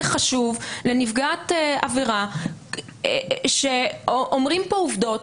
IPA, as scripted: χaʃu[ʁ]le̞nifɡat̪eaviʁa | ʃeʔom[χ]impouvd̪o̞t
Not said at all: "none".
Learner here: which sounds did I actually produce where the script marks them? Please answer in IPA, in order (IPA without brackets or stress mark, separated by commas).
v, ʁ